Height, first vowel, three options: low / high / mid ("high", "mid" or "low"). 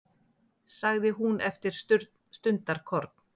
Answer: low